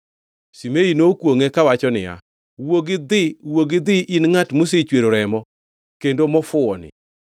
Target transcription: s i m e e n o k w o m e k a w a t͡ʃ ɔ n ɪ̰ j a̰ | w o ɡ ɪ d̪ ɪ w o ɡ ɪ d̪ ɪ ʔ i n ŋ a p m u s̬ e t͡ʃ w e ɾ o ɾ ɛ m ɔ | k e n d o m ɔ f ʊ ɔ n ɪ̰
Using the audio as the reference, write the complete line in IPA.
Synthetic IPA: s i m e i n o k w o ŋ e k a w a t͡ʃ ɔ n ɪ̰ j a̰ | w o ɡ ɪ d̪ ɪ w o ɡ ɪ d̪ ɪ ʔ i n ŋ a t m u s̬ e t͡ʃ w e ɾ o ɾ ɛ m ɔ | k e n d o m ɔ f ʊ ɔ n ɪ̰